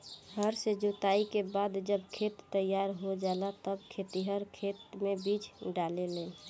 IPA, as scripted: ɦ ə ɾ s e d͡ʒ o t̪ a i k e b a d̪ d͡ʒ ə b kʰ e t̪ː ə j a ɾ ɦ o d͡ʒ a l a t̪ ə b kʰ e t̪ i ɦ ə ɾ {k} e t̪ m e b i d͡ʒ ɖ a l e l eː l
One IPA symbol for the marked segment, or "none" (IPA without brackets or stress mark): kʰ